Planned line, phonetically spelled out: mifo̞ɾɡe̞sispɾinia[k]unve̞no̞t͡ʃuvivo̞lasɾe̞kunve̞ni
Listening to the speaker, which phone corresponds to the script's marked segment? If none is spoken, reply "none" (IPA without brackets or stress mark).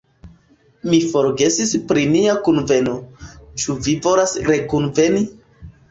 k